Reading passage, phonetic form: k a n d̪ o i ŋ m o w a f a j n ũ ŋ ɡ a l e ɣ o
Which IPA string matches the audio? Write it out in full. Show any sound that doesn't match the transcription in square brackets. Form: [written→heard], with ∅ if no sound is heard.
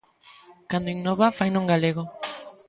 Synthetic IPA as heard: k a n d̪ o i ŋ [m→n] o [w→β] a f a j n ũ ŋ ɡ a l e ɣ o